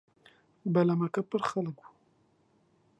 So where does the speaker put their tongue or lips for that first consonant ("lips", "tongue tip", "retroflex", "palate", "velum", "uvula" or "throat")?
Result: lips